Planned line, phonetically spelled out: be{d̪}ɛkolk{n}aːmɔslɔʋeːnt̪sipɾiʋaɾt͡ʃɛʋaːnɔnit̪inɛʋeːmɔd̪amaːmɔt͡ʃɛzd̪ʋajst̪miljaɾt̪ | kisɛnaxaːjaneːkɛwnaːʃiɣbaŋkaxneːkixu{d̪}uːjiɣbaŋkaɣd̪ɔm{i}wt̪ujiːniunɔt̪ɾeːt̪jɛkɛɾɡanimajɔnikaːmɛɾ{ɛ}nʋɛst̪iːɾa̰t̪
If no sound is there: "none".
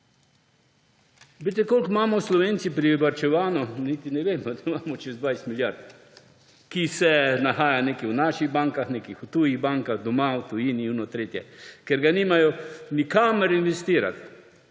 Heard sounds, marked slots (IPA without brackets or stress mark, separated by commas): t̪, m, t̪, a, i